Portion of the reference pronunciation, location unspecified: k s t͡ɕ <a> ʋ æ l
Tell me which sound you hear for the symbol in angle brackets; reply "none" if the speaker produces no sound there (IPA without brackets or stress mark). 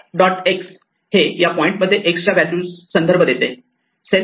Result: a